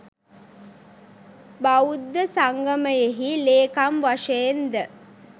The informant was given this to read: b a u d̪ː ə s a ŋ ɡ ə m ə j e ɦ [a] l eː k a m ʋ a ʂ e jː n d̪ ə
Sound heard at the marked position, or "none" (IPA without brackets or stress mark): i